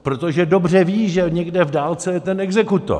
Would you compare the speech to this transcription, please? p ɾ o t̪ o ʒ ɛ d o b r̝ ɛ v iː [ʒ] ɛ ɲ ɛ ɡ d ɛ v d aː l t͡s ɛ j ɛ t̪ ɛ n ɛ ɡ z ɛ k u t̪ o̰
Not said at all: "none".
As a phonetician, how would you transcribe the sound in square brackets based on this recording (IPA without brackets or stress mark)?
ʒ